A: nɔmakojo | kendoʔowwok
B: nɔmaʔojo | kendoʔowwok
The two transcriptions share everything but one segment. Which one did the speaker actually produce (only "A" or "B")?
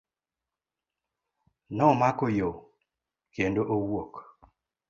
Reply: A